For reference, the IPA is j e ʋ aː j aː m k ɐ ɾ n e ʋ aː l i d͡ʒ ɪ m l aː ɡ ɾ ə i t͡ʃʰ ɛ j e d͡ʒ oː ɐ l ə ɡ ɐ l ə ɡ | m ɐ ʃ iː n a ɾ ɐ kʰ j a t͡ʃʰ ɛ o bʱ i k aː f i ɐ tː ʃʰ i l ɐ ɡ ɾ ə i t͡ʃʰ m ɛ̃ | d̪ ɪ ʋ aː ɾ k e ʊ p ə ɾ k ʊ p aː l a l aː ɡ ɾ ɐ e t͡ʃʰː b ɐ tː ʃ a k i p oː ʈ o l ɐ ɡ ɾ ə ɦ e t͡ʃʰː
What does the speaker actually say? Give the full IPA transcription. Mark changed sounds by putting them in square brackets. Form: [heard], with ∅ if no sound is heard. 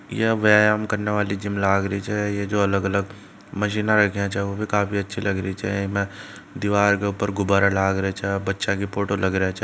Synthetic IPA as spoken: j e ʋ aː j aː m k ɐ ɾ n e ʋ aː l i d͡ʒ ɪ m l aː ɡ ɾ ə i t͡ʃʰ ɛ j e d͡ʒ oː ɐ l ə ɡ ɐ l ə ɡ | m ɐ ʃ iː n a ɾ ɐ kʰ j a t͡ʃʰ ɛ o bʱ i k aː f i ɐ tː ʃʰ i l ɐ ɡ ɾ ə i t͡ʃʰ m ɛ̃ | d̪ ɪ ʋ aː ɾ k e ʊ p ə ɾ [ɡ] ʊ [b] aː [ɾ] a l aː ɡ ɾ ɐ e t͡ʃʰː b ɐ tː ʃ a k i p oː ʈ o l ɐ ɡ ɾ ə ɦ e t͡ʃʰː